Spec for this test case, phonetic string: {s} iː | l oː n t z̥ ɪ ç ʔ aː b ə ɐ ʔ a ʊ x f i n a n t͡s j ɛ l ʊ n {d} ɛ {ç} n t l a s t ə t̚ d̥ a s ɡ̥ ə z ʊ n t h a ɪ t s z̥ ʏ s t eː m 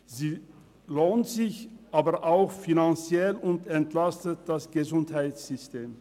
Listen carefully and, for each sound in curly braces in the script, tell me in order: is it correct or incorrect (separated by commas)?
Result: incorrect, incorrect, incorrect